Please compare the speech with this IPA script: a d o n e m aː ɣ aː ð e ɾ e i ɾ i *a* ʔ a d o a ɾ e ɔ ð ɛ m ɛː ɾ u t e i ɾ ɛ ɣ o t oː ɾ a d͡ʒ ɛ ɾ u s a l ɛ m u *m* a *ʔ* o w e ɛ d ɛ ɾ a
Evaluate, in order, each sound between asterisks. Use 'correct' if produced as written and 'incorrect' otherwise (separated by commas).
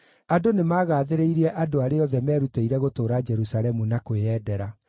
incorrect, incorrect, incorrect